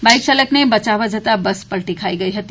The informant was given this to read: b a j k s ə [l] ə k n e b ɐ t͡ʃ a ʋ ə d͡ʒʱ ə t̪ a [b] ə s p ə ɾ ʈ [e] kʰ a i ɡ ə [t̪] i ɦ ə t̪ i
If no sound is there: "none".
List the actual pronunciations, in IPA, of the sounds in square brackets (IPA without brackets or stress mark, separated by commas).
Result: l, b, i, none